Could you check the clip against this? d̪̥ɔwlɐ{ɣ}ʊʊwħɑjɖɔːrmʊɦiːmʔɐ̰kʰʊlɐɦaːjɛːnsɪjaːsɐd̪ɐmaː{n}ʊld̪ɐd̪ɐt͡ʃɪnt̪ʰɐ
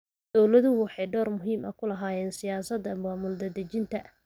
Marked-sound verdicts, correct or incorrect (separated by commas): incorrect, incorrect